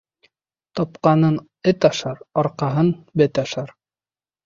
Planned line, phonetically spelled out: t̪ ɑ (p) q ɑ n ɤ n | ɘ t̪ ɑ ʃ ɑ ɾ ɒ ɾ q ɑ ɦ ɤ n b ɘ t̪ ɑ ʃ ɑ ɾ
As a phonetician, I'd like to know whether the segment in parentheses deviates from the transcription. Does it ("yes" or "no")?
no